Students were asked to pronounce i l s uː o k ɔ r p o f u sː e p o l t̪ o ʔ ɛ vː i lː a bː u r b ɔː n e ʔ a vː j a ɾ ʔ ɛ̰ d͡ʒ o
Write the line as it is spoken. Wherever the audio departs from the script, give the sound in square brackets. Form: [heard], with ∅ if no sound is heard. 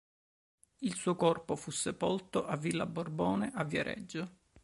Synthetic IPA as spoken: i l s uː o k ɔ r p o f u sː e p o l t̪ o ʔ [a] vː i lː a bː [o] r b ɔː n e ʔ a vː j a ɾ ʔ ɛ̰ [d͡ʒː] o